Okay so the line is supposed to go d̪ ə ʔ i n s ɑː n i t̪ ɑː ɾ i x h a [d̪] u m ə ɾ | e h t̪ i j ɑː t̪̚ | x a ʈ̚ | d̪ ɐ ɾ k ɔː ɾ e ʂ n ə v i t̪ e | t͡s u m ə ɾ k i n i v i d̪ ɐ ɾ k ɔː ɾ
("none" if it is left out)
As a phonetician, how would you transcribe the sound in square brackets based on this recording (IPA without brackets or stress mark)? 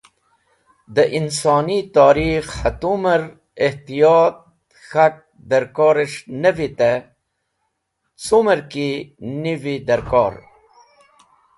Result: t̪